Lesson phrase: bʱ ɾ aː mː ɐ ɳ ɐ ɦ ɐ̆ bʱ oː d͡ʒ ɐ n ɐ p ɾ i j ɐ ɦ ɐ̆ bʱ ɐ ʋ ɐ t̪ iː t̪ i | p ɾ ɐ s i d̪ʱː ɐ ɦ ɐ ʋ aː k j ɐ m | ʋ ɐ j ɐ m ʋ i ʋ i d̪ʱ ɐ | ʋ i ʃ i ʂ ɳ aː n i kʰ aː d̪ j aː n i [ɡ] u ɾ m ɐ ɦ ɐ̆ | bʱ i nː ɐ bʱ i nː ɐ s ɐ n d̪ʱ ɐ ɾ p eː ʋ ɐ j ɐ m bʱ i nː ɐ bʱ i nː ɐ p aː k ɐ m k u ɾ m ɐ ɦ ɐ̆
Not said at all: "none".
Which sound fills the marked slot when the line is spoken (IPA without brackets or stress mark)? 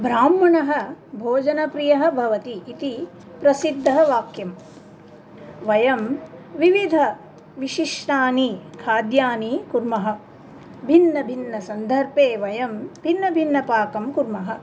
k